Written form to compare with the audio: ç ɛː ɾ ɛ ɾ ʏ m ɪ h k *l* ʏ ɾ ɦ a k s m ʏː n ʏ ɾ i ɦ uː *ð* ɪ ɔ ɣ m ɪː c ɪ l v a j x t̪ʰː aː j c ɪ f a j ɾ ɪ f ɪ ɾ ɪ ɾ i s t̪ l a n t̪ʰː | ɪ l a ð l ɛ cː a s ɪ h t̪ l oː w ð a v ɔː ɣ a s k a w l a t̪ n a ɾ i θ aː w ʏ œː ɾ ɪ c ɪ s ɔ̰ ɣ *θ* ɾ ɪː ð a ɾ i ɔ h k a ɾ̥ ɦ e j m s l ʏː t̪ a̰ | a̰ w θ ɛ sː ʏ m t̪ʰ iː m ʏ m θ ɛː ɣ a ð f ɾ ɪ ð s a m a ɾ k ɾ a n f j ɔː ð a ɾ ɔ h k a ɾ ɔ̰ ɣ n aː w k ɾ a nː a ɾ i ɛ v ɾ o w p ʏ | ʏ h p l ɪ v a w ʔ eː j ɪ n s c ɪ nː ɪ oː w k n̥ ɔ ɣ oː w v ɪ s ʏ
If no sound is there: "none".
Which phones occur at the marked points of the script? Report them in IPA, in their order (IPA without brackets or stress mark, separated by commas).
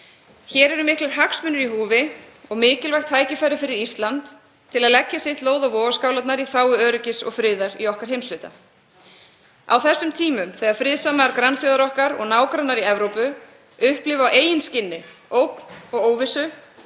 l, v, f